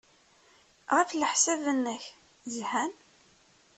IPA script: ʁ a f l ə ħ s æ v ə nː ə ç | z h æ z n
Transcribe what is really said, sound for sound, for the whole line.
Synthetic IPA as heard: ʁ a f l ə ħ s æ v ə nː ə ç | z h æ n